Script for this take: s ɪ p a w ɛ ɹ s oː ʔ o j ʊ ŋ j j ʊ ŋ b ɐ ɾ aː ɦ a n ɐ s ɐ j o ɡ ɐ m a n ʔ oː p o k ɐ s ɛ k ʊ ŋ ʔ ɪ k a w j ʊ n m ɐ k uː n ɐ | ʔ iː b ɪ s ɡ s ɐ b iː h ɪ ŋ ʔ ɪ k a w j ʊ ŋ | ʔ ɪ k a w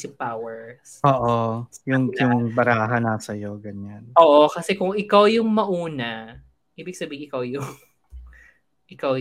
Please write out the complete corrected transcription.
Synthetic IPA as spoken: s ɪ p a w ɛ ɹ s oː ʔ o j ʊ ŋ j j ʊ ŋ b ɐ ɾ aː ɦ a n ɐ s ɐ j o ɡ ɐ ɲ a n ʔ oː ʔ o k ɐ s ɛ k ʊ ŋ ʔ ɪ k a w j ʊ ŋ m ɐ ʔ uː n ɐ | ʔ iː b ɪ ɡ s ɐ b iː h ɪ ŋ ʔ ɪ k a w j ʊ ŋ | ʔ ɪ k a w